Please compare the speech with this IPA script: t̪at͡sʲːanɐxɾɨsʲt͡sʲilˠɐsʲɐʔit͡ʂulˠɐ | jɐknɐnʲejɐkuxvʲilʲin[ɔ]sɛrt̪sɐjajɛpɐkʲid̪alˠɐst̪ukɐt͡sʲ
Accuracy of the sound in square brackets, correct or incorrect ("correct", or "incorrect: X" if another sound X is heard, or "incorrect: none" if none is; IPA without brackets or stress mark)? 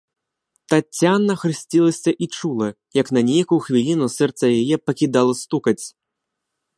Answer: incorrect: u